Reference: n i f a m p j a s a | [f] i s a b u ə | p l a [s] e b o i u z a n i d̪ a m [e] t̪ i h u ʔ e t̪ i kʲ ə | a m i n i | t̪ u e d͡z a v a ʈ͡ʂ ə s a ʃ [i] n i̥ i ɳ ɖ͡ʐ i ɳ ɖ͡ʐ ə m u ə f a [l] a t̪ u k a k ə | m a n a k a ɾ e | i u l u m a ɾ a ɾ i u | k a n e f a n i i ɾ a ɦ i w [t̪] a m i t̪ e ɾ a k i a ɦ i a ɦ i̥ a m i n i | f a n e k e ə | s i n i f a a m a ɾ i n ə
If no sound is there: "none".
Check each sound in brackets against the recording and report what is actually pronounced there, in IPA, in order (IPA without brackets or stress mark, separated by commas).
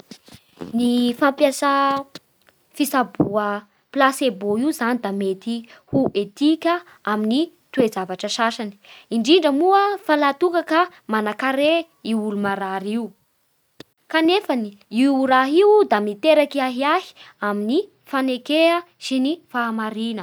f, s, e, a, l, d̪